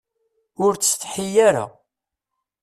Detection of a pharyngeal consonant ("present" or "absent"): present